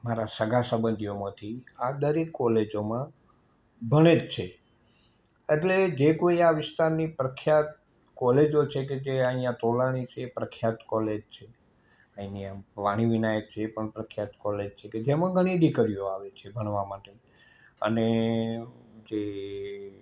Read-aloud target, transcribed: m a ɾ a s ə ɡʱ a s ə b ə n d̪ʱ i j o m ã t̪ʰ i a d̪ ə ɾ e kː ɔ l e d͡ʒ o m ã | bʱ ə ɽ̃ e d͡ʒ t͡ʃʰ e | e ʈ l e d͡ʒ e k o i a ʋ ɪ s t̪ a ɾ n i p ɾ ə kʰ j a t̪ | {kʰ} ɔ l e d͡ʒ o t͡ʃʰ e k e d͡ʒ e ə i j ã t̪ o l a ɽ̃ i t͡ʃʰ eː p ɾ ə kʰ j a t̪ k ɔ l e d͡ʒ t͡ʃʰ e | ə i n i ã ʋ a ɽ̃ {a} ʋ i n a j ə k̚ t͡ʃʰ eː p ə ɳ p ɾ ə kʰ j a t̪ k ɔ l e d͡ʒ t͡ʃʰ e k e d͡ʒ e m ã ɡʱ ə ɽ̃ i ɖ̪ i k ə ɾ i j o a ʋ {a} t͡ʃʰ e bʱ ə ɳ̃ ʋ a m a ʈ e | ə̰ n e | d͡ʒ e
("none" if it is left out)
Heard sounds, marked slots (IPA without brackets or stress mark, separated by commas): k, i, e